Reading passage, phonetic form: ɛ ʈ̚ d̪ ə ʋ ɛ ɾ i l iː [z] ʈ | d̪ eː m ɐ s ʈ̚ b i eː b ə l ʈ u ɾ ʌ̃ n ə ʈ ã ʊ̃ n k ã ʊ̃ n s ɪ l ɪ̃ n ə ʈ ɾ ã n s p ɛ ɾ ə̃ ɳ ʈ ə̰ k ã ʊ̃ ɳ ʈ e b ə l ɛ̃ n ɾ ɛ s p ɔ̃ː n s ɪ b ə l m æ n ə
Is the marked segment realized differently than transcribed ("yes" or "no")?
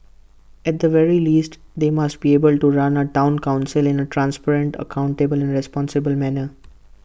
yes